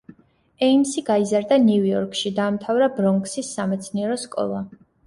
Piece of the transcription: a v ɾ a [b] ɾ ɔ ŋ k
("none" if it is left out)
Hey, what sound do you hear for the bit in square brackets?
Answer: b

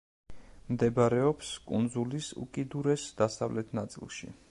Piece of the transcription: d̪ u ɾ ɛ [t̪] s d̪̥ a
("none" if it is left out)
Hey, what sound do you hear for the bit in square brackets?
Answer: none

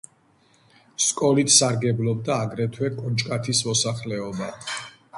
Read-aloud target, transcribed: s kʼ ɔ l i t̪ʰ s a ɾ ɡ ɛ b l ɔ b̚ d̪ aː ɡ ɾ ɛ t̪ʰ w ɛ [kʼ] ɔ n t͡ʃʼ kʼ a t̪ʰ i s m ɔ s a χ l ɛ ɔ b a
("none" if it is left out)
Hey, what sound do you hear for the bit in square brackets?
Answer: kʼ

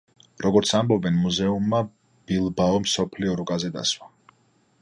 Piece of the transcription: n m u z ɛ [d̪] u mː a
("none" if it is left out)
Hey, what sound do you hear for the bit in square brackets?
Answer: none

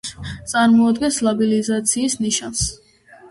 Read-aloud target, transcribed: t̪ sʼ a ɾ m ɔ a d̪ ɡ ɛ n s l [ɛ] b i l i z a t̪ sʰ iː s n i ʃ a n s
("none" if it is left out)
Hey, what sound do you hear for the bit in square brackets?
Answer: a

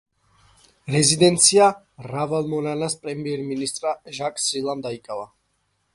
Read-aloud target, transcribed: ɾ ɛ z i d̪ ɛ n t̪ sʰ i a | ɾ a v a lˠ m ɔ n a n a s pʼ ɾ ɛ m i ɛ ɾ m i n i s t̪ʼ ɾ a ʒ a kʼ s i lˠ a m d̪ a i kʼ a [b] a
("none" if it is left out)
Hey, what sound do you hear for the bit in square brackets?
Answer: v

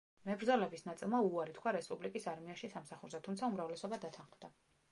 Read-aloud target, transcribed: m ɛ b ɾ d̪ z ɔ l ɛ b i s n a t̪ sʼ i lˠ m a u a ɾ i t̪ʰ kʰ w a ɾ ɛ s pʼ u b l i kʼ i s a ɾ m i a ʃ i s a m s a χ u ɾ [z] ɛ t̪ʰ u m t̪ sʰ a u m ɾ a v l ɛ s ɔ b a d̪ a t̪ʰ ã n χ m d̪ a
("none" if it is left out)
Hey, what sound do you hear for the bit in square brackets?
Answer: z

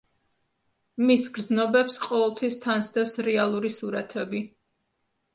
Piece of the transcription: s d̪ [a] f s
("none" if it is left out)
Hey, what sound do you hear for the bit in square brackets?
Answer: ɛ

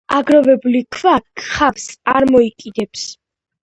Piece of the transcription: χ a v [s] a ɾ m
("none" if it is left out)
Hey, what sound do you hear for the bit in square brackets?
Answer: s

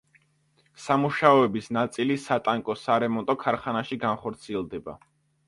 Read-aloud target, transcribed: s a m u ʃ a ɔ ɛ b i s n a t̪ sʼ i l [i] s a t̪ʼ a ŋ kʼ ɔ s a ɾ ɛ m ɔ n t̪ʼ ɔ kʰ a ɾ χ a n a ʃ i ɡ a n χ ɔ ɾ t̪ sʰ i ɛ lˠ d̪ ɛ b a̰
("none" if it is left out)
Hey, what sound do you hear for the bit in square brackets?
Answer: i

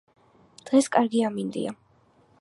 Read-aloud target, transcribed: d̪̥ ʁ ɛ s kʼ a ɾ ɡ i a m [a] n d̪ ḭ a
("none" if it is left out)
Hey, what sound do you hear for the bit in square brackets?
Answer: i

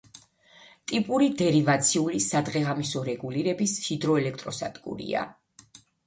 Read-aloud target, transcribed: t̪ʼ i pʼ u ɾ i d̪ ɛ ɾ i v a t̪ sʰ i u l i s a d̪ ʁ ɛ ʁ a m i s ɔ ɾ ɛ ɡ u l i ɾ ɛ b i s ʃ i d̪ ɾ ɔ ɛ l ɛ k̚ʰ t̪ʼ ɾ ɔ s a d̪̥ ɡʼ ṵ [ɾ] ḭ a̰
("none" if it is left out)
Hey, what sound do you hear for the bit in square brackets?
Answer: ɾ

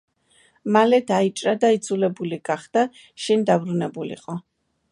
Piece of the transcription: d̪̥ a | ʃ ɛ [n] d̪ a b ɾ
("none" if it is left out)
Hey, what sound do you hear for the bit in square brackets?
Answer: n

